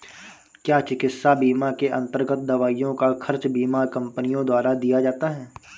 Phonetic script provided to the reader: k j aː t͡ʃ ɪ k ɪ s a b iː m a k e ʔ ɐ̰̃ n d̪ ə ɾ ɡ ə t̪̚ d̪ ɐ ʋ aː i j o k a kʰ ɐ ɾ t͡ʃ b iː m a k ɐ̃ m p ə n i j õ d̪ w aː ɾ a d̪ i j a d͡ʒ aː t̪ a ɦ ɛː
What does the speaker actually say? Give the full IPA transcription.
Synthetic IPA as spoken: k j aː t͡ʃ ɪ k ɪ s a b iː m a k e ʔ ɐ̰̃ n t̪ ə ɾ ɡ ə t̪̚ d̪ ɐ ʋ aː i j õ k a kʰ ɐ ɾ t͡ʃ b iː m a k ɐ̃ m p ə n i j õ d̪ w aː ɾ a d̪ i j a d͡ʒ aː t̪ a ɦ ɛː

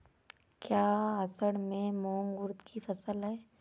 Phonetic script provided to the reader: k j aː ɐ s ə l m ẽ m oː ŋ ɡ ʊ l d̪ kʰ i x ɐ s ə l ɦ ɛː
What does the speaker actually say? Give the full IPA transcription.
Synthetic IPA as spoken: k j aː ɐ s ə ɽ m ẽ m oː ŋ ɡ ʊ ɾ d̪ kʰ i f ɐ s ə l ɦ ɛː

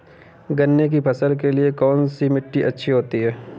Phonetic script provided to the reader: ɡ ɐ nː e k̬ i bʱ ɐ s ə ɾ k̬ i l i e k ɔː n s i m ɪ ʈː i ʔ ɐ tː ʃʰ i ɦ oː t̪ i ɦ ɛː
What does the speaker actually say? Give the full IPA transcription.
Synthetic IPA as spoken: ɡ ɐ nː e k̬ i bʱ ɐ s ə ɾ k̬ e l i e k ɔː n s i m ɪ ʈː i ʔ ɐ tː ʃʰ i ɦ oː t̪ i ɦ ɛː

